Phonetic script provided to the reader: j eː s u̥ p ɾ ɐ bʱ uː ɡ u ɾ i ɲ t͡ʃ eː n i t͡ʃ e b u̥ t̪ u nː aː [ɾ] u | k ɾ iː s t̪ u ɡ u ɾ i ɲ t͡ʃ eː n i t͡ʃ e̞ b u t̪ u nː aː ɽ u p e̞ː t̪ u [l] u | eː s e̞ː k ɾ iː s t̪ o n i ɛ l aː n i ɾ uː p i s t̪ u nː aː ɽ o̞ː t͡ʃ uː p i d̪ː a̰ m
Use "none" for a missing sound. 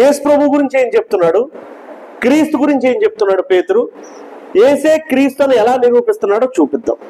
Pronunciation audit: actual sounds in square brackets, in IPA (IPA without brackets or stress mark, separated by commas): ɽ, ɾ